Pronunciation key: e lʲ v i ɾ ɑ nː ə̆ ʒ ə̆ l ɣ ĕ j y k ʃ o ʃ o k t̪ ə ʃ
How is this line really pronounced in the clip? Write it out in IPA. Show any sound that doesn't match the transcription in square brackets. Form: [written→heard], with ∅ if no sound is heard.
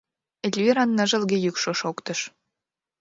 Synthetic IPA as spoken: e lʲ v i ɾ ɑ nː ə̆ ʒ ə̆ l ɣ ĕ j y k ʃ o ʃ o k t̪ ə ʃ